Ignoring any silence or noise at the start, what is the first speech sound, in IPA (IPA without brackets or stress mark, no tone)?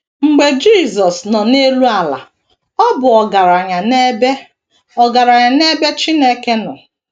ŋ͡m̩